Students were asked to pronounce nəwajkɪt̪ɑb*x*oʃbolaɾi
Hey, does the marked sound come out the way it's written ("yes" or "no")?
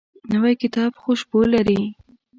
yes